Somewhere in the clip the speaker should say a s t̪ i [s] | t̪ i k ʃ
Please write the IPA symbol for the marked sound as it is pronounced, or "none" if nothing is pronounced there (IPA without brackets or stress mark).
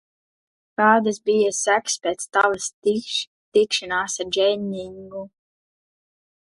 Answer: ʃ